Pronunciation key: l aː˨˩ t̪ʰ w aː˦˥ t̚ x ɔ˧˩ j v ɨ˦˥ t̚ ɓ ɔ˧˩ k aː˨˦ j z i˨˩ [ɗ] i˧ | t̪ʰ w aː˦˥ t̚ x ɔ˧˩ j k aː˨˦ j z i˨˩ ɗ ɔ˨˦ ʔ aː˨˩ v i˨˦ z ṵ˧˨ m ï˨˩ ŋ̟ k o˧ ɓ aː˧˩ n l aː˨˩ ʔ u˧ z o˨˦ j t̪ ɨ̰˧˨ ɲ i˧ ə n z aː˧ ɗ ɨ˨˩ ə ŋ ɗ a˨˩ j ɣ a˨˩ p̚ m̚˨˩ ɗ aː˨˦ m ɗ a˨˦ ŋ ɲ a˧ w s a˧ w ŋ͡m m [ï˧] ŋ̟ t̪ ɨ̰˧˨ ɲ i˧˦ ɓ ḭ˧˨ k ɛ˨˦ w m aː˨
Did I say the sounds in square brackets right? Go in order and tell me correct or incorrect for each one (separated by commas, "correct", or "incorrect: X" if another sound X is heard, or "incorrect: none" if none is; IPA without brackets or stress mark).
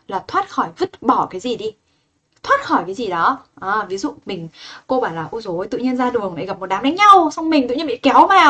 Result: correct, incorrect: ï˨˩